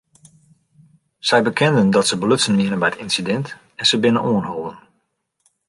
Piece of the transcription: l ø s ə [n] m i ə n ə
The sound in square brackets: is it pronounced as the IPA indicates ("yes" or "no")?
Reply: yes